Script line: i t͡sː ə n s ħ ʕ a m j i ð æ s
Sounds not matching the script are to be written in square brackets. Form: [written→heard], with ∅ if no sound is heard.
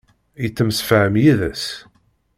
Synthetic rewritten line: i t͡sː ə [n→m] s [ħ→f] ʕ [a→ə] m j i ð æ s